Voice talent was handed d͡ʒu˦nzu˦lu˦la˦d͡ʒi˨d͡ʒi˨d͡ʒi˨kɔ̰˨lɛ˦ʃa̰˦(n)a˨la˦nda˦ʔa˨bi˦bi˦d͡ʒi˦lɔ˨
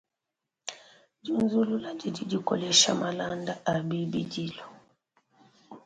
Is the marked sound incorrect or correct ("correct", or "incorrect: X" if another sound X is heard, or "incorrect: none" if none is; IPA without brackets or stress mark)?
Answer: incorrect: m